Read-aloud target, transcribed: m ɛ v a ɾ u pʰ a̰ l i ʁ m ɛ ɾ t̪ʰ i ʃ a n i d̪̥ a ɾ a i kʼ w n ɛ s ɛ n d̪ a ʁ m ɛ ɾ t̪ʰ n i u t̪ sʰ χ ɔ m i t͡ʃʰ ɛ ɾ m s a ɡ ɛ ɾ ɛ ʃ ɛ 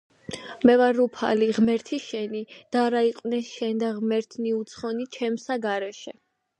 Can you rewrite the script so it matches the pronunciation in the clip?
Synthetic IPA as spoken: m ɛ v a ɾ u pʰ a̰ l i ʁ m ɛ ɾ t̪ʰ i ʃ ɛ n i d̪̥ a ɾ a i qʼ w n ɛ ʃ ɛ n d̪ a ʁ m ɛ ɾ t̪ʰ n i u t̪ sʰ χ ɔ n i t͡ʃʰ ɛ m s a ɡ a ɾ ɛ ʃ ɛ

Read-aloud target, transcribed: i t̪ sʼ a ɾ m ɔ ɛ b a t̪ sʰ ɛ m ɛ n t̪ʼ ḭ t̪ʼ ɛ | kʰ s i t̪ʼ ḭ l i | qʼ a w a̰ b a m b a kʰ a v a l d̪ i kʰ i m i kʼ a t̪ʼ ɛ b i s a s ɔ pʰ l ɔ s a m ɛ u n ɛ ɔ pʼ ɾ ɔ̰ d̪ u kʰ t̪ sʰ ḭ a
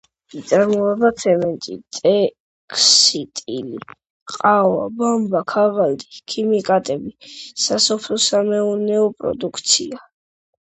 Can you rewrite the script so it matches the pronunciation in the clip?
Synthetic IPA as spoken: i t̪ sʼ a ɾ m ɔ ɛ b a t̪ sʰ ɛ m ɛ n t̪ʼ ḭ t̪ʼ ɛ | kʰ s i t̪ʼ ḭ l i | qʼ a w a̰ b a m b a kʰ a v a l d̪ i kʰ i m i kʼ a t̪ʼ ɛ b i s a s ɔ pʰ l ɔ s a m ɛ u n ɛ ɔ pʼ ɾ ɔ̰ d̪ u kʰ t̪ sʰ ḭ a

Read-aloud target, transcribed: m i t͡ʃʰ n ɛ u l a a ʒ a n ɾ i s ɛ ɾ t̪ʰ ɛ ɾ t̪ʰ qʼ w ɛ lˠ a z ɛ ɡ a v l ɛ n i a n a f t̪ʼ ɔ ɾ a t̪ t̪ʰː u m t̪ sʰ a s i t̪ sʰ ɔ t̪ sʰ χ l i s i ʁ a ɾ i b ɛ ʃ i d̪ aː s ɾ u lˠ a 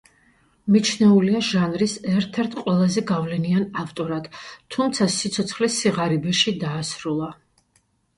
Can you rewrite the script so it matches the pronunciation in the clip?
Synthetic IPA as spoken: m i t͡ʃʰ n ɛ u l i a ʒ a n ɾ i s ɛ ɾ t̪ʰ ɛ ɾ t̪ʰ qʼ w ɛ lˠ a z ɛ ɡ a v l ɛ n i a n a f t̪ʼ ɔ ɾ a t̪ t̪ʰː u m t̪ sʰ a s i t̪ sʰ ɔ t̪ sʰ χ l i s i ʁ a ɾ i b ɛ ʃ i d̪ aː s ɾ u lˠ a

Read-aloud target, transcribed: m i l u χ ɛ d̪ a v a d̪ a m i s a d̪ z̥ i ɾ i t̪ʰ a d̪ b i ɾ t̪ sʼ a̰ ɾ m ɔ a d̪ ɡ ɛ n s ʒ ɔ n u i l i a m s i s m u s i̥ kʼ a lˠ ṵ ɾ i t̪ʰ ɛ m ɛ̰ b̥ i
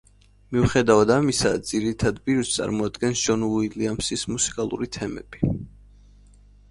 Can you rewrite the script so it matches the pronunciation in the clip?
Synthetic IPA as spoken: m i u χ ɛ d̪ a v a d̪ a m i s a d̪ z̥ i ɾ i t̪ʰ a d̪ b i ɾ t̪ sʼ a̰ ɾ m ɔ a d̪ ɡ ɛ n s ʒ ɔ n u i l i a m s i s m u s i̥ kʼ a lˠ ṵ ɾ i t̪ʰ ɛ m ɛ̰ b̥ i

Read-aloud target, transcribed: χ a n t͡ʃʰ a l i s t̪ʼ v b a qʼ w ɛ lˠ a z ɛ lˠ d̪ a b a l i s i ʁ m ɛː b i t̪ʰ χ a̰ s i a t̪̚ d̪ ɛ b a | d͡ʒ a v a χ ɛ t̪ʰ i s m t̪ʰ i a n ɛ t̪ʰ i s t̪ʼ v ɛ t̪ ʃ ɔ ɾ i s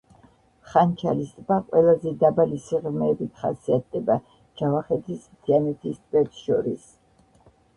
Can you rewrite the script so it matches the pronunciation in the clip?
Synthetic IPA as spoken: χ a n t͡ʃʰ a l i s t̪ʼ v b a qʼ w ɛ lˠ a z ɛ d̪ a b a l i s i ʁ m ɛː b i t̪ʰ χ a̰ s i a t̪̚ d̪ ɛ b a | d͡ʒ a v a χ ɛ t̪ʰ i s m t̪ʰ i a n ɛ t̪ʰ i s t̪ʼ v ɛ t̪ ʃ ɔ ɾ i s

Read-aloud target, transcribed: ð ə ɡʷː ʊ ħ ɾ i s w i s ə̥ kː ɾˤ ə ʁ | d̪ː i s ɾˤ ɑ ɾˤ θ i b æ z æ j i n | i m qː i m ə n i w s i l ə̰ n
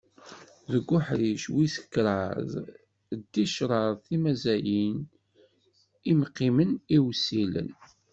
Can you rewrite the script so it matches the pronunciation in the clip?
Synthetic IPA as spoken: ð ə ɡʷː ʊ ħ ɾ i ʃ w i s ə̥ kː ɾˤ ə ð | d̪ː i ʃ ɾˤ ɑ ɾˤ θ i m æ z æ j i n | i m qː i m ə n i w s i l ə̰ n

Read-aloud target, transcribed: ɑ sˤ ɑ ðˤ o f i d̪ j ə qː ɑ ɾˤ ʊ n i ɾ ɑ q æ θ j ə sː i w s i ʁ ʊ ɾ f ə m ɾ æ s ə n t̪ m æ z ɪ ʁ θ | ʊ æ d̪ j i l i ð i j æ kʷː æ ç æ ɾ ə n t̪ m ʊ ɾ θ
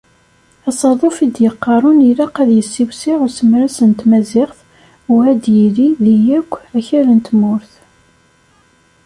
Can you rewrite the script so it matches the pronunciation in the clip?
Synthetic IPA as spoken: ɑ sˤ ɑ ðˤ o f i d̪ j ə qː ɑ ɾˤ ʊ n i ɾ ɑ q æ ð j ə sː i w s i ʁ ʊ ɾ s ə m ɾ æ s ə n t̪ m æ z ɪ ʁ θ | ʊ æ d̪ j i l i ð i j æ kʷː æ ç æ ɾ ə n t̪ m ʊ ɾ θ

